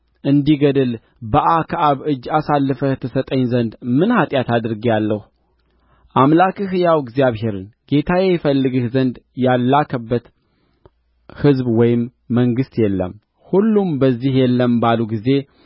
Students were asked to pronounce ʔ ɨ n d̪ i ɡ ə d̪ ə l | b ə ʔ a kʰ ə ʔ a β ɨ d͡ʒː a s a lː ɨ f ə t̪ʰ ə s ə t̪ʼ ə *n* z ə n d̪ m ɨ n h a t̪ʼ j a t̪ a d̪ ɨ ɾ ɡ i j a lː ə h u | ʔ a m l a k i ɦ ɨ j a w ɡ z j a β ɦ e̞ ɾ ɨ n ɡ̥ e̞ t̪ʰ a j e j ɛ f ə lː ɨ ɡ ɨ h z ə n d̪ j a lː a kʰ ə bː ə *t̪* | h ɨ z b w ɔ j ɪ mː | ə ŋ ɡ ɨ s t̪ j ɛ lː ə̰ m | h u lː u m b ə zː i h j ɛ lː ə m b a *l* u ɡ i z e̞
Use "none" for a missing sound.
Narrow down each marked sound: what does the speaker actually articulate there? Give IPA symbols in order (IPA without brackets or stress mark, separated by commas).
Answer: ɲ, t̪, l